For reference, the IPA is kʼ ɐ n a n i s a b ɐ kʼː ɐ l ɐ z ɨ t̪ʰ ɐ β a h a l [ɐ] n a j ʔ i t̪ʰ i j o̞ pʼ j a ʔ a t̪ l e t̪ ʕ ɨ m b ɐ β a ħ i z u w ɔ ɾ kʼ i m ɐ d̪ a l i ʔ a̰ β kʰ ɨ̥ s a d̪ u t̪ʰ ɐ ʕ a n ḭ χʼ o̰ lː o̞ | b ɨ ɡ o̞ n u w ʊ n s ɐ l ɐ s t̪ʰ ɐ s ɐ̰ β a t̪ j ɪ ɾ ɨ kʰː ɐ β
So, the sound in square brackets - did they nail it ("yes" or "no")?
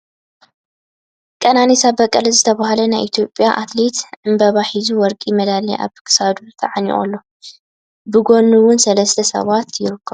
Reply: yes